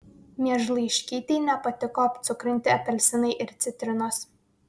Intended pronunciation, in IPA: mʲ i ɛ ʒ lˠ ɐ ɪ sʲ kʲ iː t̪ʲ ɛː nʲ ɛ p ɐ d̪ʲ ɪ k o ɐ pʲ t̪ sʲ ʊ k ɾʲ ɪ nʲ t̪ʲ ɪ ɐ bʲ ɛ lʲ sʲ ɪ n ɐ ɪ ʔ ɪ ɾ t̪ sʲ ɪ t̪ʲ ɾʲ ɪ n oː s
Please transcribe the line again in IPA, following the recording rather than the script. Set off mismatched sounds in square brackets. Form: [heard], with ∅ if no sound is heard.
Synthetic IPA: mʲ i ɛ ʒ lˠ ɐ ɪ [ʃʲ] kʲ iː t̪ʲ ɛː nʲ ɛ p ɐ [t̪ʲ] ɪ k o ɐ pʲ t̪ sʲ ʊ k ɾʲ ɪ nʲ t̪ʲ ɪ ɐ [pʲ] ɛ lʲ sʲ ɪ n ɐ ɪ ʔ ɪ ɾ t̪ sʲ ɪ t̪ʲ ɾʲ ɪ n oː s